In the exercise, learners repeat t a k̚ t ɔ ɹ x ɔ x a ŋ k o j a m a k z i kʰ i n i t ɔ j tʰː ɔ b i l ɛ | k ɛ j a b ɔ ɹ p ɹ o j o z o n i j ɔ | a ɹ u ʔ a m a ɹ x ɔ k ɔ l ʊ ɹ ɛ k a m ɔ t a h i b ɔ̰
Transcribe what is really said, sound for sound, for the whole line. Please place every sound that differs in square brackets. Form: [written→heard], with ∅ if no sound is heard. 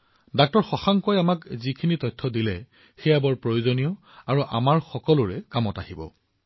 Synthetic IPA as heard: [t→d] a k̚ t ɔ ɹ x ɔ x a ŋ k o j a m a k z i kʰ i n i t ɔ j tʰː ɔ [b→d] i l ɛ | [k→x] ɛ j a b ɔ ɹ p ɹ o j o z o n i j ɔ | a ɹ u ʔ a m a ɹ x ɔ k ɔ l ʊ ɹ ɛ k a m ɔ t a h i b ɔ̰

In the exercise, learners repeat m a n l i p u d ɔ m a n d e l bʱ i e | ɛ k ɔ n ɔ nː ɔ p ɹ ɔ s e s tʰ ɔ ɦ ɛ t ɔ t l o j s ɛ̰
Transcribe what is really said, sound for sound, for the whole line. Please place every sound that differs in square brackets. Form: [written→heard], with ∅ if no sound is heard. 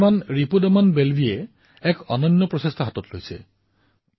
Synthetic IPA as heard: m a n [l→ɹ] i p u d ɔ m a n [d→b] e l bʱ i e | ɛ k ɔ n ɔ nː ɔ p ɹ ɔ s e s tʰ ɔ ɦ [ɛ→a] t ɔ t l o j s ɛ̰

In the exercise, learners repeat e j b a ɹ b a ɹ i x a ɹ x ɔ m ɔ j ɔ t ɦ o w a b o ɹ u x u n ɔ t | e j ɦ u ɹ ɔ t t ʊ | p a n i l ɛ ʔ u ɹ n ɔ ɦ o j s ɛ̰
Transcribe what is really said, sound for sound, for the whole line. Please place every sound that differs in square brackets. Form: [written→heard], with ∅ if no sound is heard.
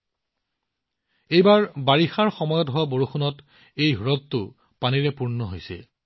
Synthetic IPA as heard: e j b a ɹ b a ɹ i x a ɹ x ɔ m ɔ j ɔ t ɦ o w a b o ɹ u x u n ɔ t | e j ɦ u ɹ ɔ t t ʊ | p a n i [l→ɹ] ɛ [ʔ→p] u ɹ n ɔ ɦ o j s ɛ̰

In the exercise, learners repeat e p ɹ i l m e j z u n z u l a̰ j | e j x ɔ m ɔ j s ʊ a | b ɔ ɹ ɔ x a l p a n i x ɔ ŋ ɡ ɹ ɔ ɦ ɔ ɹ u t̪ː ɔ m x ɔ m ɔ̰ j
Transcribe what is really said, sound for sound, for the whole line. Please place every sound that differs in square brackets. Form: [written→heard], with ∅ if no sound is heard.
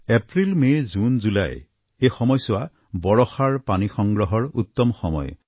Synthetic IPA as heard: e p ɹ i l m e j z u n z u l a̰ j | e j x ɔ m ɔ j s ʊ a | b ɔ ɹ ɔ x a [l→ɹ] p a n i x ɔ ŋ ɡ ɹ ɔ ɦ ɔ ɹ u t̪ː ɔ m x ɔ m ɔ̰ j

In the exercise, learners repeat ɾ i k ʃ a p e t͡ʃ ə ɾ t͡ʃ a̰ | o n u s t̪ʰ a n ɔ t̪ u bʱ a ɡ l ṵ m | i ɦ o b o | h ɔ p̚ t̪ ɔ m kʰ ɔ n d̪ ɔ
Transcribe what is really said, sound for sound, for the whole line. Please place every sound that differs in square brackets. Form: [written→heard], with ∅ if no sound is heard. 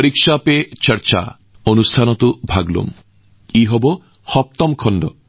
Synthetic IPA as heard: ɾ i k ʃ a p e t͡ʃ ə ɾ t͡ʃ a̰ | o n u s t̪ʰ a n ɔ t̪ u bʱ a ɡ l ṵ m | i ɦ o b o | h ɔ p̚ t̪ ɔ m kʰ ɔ n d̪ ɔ

